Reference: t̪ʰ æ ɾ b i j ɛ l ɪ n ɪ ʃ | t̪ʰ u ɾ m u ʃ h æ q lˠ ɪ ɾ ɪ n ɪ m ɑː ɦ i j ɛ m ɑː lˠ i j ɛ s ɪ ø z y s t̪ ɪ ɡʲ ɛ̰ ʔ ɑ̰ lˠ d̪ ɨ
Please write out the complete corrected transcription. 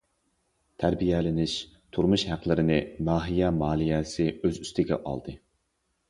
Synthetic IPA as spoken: t̪ʰ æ ɾ b i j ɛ l ɪ n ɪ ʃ | t̪ʰ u ɾ m u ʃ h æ q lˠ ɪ ɾ ɪ n ɪ m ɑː ɦ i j ɛ m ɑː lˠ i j ɛ s ɪ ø z y s t̪ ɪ ɡʲ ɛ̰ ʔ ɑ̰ lˠ d̪ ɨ